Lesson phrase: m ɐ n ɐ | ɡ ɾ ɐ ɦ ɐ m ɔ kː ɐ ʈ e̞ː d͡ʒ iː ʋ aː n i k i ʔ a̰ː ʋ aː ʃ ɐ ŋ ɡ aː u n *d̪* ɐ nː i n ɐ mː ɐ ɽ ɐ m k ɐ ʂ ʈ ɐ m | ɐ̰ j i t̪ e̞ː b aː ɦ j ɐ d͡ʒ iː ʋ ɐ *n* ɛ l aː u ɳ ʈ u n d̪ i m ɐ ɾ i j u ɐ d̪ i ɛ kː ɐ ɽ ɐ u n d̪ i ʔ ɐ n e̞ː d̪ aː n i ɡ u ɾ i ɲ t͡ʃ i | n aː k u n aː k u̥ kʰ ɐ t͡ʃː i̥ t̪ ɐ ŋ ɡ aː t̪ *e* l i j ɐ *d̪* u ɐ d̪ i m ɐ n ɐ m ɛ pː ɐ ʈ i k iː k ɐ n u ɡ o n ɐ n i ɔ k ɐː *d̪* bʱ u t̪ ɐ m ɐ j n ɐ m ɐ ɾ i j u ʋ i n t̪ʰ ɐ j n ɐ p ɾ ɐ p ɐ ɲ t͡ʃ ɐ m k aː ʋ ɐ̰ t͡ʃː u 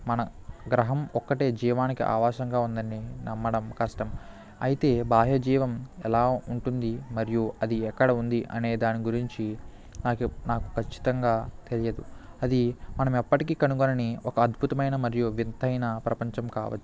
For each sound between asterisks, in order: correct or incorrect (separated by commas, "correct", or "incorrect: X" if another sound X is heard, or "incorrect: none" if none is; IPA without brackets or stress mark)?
correct, incorrect: m, correct, correct, correct